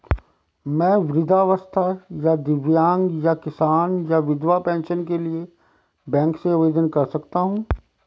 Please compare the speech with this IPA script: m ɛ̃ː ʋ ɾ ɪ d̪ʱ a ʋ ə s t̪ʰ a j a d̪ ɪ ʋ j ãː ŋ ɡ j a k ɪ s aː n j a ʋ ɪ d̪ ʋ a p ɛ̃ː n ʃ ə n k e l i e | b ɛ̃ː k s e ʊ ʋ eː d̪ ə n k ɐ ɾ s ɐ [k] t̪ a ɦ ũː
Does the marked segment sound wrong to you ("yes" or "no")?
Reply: no